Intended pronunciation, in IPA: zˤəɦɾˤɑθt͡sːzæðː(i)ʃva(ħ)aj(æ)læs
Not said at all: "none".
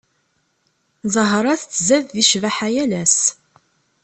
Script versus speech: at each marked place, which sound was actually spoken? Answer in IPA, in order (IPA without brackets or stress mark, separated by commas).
i, ħ, æ